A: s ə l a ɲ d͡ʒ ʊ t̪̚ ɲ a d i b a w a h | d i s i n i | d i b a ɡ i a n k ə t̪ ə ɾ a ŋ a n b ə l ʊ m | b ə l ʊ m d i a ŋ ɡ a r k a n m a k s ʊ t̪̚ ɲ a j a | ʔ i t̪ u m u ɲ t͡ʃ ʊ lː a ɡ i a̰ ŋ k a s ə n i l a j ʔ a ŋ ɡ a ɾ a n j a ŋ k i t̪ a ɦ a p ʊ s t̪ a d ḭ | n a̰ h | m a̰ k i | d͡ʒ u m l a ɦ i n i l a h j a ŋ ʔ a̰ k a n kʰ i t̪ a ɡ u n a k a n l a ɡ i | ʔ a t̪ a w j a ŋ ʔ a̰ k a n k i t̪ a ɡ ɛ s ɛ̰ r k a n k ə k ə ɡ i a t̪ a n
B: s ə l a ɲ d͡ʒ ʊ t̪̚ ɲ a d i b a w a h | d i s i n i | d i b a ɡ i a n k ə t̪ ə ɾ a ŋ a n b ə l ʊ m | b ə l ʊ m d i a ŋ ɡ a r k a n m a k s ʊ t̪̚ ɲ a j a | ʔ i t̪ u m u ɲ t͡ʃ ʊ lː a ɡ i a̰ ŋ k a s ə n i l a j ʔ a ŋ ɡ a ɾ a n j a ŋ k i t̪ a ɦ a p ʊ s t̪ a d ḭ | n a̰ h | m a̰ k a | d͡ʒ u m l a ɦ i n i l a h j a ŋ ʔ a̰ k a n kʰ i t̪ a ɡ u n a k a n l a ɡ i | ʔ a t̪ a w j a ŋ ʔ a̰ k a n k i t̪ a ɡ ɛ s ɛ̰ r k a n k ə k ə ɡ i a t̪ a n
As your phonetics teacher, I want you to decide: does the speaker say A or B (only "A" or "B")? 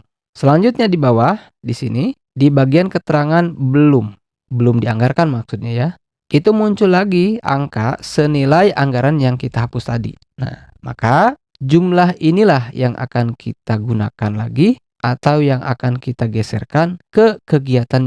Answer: B